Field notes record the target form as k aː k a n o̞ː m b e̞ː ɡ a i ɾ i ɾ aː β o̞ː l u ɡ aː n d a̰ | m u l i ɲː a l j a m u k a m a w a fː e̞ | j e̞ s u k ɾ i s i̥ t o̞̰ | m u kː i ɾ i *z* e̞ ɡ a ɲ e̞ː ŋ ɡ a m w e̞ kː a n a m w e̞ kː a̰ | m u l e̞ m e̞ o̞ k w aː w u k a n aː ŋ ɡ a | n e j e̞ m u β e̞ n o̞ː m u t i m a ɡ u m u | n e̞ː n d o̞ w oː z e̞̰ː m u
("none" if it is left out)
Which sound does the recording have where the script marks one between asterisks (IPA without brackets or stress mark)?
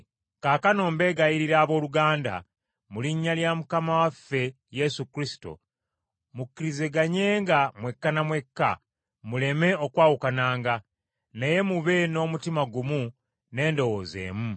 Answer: z